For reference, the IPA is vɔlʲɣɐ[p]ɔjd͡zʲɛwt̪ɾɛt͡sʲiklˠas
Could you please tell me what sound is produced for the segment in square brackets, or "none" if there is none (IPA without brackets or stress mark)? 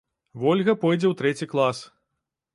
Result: p